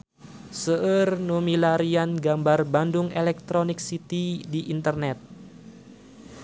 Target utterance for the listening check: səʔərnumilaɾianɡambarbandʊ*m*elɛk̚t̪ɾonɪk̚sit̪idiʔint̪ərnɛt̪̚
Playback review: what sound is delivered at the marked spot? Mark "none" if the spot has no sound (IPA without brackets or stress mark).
ŋ